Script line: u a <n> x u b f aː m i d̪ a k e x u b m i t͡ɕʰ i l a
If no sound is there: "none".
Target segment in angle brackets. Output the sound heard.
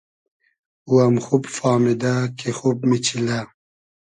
m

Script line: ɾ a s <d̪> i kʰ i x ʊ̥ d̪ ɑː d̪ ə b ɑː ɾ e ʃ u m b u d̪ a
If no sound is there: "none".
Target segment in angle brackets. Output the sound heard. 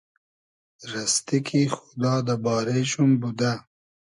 t̪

